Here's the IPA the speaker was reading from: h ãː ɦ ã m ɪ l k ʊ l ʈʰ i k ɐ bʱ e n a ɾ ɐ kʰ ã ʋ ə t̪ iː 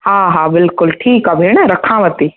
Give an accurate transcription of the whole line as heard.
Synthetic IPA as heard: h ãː ɦ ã b ɪ l k ʊ l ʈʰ iː k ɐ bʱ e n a ɾ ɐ kʰ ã ʋ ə t̪ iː